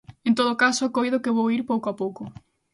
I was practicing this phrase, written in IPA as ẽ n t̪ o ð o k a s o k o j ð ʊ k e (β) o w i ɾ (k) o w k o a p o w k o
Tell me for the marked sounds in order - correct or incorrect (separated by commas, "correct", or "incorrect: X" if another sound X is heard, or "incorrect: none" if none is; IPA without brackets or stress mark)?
correct, incorrect: p